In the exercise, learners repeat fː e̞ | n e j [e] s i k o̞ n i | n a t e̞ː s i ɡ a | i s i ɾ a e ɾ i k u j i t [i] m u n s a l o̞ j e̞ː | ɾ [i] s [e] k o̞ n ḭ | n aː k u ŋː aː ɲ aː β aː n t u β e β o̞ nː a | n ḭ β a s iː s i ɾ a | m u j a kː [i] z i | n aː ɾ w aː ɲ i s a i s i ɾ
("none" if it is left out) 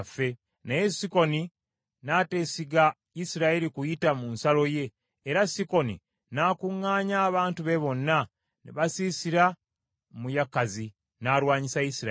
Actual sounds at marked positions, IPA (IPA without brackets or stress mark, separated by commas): e, a, a, i, a